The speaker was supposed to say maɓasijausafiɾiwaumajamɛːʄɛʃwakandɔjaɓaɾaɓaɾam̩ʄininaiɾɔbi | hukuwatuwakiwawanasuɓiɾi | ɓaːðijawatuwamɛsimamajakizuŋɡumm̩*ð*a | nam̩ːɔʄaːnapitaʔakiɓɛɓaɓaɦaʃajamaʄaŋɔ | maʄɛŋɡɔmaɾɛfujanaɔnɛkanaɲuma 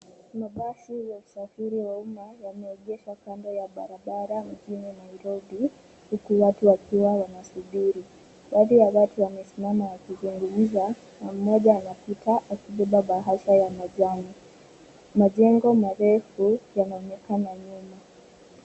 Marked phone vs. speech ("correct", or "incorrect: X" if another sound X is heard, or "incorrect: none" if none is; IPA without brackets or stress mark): incorrect: z